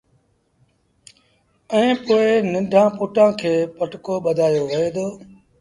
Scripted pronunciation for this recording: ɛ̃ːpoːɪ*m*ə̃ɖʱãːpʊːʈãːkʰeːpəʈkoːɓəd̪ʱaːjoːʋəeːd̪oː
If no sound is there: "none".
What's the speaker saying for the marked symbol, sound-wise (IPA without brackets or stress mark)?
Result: n